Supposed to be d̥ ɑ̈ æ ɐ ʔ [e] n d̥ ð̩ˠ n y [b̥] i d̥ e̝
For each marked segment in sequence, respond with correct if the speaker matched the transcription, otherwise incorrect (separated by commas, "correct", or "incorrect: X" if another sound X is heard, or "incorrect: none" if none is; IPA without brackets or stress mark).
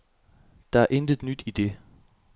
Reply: correct, incorrect: d̥